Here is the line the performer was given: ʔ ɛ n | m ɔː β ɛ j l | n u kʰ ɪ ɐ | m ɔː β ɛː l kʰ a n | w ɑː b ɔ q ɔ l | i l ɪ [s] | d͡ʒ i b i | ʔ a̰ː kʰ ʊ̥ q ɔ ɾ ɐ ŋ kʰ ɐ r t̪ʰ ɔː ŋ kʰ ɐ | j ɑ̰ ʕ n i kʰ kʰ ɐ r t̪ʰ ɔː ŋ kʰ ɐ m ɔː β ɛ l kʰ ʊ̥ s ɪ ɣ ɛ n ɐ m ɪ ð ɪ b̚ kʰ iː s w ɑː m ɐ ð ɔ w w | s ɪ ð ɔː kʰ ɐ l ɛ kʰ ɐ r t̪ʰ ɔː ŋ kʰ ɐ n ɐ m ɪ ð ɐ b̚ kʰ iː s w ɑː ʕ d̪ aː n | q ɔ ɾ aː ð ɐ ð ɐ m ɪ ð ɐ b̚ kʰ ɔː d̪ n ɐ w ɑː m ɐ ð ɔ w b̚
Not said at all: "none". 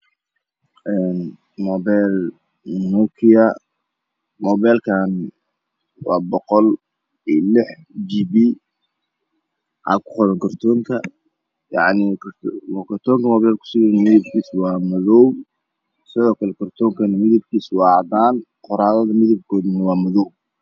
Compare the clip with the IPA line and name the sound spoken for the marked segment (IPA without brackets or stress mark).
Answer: ħ